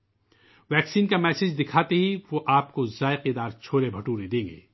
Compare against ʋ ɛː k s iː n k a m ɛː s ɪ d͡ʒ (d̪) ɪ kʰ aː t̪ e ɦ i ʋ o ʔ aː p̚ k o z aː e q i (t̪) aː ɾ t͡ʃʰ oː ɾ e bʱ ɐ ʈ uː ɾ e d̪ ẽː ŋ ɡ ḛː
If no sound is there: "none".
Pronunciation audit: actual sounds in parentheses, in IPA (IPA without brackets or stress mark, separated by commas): d̪, d̪